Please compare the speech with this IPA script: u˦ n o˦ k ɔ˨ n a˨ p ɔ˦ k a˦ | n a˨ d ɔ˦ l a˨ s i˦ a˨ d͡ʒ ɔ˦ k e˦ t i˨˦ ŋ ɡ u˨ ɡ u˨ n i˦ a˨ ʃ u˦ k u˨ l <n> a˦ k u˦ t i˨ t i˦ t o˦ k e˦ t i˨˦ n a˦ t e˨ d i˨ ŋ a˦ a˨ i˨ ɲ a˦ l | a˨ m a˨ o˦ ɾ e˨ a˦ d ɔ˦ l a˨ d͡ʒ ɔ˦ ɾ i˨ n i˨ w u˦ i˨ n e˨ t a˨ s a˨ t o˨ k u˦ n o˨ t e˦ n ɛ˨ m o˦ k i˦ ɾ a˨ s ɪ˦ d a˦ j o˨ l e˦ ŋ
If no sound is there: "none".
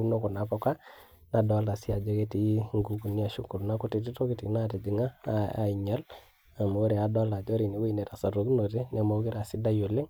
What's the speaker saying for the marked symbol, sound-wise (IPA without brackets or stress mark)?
n